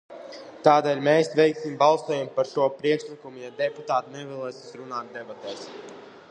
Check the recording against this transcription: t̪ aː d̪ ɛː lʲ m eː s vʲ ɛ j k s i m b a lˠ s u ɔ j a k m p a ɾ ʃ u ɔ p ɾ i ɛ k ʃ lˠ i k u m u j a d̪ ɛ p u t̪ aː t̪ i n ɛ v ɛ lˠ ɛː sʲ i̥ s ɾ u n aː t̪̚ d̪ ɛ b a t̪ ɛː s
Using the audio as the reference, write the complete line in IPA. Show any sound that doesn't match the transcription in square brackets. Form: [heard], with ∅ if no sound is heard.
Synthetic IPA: t̪ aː d̪ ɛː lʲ m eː s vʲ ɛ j k s i m b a lˠ s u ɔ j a [∅] m p a ɾ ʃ u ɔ p ɾ i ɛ k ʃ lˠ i k u m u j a d̪ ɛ p u t̪ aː t̪ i n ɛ v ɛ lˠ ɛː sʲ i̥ s ɾ u n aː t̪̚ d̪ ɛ b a t̪ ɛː s